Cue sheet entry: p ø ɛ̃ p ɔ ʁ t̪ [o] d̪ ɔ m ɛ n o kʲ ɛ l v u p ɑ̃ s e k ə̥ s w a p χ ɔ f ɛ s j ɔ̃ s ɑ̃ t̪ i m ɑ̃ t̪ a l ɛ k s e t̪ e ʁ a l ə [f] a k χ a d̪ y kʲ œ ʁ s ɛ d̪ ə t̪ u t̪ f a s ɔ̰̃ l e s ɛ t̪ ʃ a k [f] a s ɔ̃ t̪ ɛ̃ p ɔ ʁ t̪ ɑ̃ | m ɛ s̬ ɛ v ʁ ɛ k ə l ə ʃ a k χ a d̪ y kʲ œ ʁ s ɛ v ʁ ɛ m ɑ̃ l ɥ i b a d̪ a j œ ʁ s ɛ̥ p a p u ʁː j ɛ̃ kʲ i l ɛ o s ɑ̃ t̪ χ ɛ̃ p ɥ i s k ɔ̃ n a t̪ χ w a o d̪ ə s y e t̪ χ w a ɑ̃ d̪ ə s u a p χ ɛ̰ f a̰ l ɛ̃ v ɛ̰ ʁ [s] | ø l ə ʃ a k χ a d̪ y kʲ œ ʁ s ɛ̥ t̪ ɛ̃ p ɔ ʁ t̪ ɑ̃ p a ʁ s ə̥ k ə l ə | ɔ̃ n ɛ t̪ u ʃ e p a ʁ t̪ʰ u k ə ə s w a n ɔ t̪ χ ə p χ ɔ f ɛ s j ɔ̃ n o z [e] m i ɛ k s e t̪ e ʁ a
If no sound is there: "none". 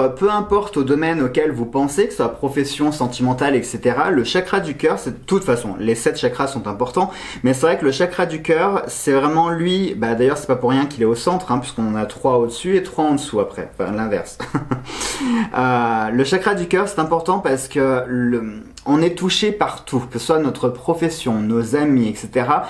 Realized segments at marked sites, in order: o, ʃ, χ, s, a

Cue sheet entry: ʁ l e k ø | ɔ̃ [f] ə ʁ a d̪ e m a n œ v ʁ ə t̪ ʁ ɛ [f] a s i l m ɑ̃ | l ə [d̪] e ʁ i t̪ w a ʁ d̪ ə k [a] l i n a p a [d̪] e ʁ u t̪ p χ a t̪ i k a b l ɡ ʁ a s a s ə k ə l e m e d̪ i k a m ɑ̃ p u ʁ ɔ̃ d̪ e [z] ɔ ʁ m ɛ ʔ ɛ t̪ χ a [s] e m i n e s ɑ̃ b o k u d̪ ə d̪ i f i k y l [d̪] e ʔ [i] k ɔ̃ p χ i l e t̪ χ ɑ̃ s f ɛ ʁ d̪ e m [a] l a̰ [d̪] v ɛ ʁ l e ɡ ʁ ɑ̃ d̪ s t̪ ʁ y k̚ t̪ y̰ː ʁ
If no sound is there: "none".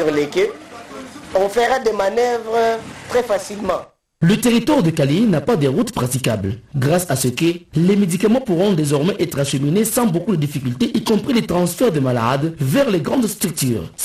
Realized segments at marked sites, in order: f, f, t̪, a, d̪, z, ʃ, t̪, i, a, d̪

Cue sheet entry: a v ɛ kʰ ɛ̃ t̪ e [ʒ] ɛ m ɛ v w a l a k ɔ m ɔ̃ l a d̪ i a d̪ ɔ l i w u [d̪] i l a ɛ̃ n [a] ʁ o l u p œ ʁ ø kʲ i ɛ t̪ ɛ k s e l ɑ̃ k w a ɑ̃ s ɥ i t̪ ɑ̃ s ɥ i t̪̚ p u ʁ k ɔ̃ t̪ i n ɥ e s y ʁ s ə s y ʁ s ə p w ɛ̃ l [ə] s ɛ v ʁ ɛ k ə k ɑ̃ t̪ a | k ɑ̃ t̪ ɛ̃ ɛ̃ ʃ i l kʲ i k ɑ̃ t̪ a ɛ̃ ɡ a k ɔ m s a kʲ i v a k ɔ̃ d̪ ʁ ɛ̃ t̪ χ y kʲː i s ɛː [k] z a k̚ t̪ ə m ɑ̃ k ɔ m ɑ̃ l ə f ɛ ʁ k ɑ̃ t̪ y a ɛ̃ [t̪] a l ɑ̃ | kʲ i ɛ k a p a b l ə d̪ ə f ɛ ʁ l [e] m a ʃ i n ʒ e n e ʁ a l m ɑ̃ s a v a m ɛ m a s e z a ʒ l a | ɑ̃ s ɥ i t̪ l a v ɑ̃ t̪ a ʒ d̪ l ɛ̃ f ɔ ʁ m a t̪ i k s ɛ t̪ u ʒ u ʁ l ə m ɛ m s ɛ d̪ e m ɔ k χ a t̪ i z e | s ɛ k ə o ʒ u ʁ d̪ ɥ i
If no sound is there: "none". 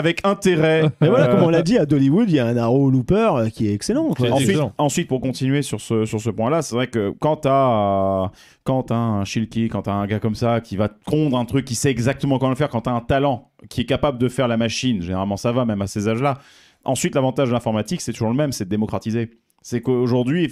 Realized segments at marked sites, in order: ʁ, d̪, a, a, ɡ, t̪, a

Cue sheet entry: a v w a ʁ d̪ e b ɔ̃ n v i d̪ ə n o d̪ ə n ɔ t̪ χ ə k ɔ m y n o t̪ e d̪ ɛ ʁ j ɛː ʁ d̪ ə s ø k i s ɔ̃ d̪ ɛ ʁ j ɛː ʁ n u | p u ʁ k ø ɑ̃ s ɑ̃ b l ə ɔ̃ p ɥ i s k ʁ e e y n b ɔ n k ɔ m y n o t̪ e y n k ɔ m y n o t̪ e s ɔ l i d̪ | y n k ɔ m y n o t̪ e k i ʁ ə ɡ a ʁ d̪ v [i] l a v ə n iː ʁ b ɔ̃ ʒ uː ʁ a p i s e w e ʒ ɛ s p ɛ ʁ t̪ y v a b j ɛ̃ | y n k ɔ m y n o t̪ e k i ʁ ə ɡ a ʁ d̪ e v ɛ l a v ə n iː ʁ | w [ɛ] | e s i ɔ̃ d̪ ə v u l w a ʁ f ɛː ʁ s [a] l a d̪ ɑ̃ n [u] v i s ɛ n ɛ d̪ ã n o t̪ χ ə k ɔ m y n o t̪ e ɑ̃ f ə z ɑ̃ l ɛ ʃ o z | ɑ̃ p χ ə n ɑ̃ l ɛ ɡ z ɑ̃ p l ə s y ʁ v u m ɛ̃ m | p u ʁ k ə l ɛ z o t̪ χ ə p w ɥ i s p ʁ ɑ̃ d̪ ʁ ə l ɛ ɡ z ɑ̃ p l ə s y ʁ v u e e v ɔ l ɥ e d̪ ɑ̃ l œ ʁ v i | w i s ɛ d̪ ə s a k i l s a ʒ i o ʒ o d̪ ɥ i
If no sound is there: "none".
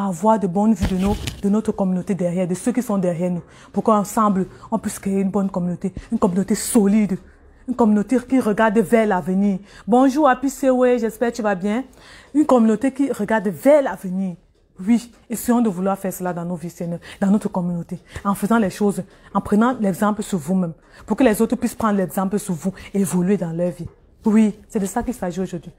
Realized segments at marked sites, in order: ɛ, i, ə, o

